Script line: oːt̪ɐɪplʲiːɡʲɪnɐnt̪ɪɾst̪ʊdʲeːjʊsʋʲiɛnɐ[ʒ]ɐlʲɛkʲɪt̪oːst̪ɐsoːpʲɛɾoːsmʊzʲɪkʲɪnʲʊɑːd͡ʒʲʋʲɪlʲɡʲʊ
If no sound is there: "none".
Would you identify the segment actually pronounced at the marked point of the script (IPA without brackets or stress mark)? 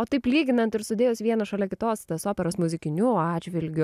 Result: ʃ